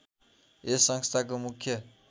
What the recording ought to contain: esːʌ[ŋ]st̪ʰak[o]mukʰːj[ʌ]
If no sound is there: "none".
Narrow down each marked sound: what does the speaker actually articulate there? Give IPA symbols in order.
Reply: ŋ, o, ʌ

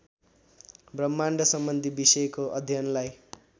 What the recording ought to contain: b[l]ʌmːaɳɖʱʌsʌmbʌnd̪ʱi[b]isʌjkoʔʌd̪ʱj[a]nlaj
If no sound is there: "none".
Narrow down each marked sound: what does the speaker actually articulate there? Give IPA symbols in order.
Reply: r, b, ʌ

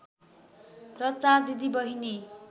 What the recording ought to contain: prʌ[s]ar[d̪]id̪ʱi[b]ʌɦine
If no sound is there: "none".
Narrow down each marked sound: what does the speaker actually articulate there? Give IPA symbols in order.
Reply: t͡s, d̪, b

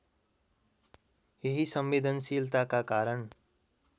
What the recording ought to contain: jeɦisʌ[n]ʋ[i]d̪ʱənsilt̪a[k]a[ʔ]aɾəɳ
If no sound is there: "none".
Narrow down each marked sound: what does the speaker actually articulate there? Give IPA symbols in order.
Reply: m, e, k, k

